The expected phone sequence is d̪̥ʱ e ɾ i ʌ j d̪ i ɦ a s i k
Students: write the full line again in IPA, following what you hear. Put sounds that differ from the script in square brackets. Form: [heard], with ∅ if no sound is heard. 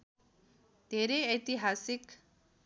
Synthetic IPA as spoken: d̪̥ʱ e ɾ [e] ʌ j [t̪] i ɦ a s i k